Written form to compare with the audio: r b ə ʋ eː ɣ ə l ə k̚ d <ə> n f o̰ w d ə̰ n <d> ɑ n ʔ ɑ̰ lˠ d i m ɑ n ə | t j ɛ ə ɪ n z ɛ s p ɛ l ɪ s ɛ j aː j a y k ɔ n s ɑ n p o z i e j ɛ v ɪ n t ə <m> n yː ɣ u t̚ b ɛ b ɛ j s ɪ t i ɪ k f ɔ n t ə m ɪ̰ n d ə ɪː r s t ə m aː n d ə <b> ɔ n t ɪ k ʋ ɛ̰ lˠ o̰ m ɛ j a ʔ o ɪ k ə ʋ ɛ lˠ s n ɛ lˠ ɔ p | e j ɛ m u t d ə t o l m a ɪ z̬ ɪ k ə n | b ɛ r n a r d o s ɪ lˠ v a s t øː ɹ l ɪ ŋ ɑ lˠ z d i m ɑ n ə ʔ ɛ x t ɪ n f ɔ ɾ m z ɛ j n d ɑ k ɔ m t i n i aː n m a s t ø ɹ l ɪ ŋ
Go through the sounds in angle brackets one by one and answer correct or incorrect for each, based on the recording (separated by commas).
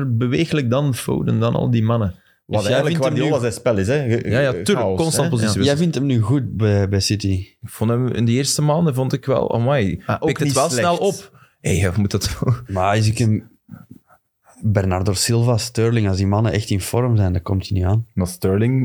incorrect, correct, correct, incorrect